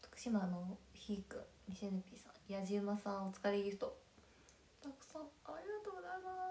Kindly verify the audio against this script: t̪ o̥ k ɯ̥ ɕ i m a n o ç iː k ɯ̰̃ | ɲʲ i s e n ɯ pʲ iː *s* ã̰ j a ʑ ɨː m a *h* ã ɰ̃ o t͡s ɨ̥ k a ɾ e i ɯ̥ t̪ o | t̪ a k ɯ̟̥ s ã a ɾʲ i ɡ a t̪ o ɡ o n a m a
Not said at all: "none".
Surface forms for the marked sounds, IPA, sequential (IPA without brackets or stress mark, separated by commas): s, s